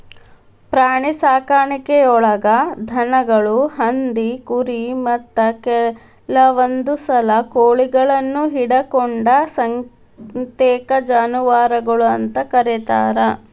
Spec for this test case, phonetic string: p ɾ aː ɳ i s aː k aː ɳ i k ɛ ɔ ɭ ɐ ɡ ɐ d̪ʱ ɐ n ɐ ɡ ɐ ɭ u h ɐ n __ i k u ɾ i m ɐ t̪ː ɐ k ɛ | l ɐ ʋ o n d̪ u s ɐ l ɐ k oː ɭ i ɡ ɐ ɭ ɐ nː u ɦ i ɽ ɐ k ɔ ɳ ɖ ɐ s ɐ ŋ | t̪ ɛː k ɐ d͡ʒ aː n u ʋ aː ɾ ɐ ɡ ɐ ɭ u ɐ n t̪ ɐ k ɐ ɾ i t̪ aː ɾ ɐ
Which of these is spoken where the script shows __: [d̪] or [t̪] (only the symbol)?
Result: d̪